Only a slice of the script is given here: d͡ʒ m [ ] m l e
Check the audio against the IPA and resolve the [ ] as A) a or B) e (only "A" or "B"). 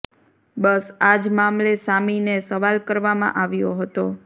A